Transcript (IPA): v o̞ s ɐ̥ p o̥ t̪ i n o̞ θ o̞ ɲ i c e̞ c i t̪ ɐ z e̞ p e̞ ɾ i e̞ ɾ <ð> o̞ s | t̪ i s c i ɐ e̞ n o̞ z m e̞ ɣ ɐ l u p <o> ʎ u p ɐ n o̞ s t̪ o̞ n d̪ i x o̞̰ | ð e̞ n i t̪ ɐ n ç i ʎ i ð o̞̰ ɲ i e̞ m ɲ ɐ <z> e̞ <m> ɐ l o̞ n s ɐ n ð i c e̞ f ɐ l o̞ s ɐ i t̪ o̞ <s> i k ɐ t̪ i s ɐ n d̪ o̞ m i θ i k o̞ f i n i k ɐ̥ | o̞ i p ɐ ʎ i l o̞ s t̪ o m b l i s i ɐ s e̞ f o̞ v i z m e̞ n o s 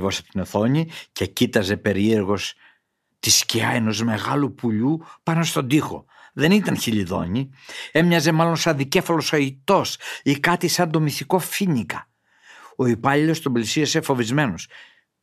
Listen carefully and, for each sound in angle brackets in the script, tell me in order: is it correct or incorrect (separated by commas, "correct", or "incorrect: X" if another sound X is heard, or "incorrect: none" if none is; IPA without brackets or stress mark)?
incorrect: ɣ, incorrect: u, correct, correct, correct